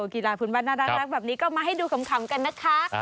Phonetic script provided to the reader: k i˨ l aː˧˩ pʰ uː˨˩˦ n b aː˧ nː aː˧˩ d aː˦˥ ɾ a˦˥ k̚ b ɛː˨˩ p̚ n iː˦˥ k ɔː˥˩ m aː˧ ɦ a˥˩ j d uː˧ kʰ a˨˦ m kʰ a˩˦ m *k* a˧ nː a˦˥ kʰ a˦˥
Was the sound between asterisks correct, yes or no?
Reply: yes